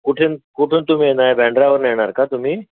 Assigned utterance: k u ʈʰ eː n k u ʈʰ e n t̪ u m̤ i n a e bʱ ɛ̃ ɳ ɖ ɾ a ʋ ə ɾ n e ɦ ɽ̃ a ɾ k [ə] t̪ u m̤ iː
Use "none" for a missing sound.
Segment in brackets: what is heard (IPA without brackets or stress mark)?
a